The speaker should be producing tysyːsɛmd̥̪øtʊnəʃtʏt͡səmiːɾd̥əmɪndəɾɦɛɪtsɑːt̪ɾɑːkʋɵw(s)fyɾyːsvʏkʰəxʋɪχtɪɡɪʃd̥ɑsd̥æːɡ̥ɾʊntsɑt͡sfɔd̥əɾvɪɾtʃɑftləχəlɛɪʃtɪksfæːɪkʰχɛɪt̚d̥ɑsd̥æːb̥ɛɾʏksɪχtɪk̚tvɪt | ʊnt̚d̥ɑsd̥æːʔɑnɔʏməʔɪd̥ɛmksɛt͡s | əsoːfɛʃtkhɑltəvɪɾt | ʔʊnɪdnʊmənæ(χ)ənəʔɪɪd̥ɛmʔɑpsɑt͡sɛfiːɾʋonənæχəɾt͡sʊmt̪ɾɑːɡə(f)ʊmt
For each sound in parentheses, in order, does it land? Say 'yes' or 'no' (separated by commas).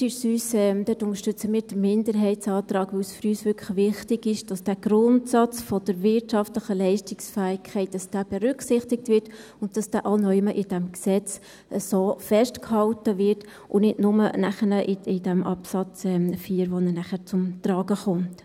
yes, yes, no